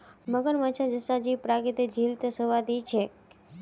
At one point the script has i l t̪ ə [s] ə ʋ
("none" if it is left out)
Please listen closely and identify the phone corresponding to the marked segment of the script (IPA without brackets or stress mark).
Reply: s